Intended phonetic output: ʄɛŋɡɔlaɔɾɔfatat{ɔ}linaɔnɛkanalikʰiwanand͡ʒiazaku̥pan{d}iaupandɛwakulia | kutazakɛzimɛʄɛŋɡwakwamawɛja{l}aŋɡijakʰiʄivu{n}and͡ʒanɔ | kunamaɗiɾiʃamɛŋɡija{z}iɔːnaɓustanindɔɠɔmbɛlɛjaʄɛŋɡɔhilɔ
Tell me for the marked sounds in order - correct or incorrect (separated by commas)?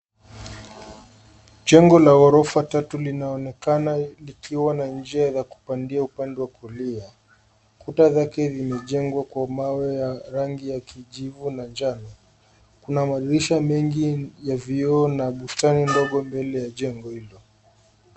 incorrect, correct, incorrect, correct, incorrect